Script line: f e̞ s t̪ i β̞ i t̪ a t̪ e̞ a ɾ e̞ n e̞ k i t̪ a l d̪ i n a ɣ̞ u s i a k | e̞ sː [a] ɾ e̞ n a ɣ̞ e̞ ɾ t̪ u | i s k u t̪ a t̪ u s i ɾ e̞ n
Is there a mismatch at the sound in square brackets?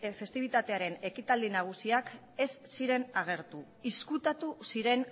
yes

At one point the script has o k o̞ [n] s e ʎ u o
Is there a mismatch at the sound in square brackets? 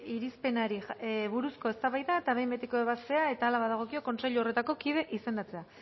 no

